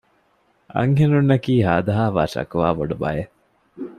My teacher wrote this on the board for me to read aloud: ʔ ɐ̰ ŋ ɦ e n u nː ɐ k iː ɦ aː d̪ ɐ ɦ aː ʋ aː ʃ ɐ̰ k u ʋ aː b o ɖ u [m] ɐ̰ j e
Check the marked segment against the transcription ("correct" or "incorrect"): incorrect